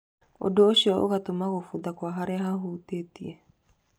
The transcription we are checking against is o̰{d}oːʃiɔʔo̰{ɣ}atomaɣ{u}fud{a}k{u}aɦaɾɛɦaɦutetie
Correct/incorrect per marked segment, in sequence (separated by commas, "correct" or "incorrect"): correct, correct, incorrect, correct, incorrect